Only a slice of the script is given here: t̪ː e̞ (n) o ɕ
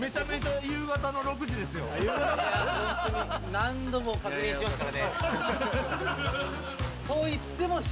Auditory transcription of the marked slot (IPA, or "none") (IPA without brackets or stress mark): m